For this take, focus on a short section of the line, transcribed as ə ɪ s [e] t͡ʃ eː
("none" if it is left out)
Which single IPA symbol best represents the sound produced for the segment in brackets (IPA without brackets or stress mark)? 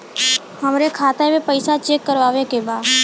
a